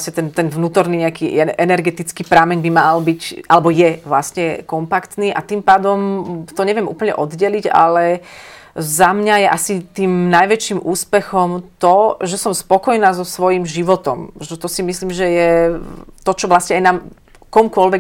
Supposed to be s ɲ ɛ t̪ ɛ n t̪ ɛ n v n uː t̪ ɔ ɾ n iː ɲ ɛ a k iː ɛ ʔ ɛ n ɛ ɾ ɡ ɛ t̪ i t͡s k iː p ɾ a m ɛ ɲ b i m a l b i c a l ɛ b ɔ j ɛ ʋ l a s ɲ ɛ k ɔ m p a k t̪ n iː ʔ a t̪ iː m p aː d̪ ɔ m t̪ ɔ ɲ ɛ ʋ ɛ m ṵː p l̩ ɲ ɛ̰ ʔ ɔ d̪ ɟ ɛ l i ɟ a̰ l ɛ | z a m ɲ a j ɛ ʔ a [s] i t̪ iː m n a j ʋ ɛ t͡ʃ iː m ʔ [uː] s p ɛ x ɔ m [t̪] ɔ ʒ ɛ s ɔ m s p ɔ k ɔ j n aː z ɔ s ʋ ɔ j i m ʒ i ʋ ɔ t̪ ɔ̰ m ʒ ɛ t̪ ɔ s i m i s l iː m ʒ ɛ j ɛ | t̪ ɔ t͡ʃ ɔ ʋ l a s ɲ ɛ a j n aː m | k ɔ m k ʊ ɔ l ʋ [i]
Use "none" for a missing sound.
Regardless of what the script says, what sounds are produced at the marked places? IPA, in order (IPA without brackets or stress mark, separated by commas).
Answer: s, uː, t̪, ɛ